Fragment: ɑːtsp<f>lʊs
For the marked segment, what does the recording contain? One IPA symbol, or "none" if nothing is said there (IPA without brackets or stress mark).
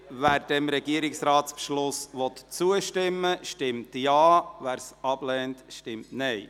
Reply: ʃ